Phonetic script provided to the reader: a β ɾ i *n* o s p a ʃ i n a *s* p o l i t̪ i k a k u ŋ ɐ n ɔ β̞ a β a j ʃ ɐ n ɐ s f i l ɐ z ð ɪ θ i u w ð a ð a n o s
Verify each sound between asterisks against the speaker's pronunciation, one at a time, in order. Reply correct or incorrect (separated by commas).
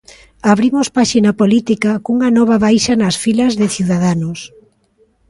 incorrect, incorrect